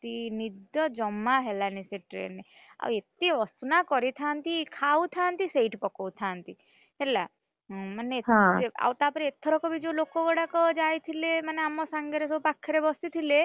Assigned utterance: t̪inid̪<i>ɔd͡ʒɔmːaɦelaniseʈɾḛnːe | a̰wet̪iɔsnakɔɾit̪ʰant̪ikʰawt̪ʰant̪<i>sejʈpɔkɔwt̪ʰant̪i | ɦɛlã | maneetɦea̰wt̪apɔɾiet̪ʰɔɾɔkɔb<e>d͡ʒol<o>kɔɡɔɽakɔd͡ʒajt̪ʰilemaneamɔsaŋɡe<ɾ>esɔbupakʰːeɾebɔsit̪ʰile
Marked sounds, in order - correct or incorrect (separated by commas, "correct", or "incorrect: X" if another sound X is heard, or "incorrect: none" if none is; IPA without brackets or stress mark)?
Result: incorrect: j, correct, incorrect: i, correct, correct